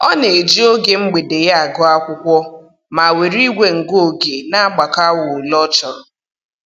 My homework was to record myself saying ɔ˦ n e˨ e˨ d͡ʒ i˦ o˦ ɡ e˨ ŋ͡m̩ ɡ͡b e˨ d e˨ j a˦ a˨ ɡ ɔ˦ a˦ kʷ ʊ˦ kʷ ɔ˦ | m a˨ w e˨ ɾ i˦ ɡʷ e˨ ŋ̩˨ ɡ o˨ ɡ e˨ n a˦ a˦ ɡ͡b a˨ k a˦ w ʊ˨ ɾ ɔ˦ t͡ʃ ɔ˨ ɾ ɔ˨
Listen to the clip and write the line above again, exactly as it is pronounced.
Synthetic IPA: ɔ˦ n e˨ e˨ d͡ʒ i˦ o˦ ɡ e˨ ŋ͡m̩ ɡ͡b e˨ d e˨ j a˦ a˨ ɡ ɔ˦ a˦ kʷ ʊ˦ kʷ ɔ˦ | m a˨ w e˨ ɾ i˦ ɡʷ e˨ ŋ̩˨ ɡ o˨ ɡ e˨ n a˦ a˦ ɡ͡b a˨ k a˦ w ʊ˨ l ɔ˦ t͡ʃ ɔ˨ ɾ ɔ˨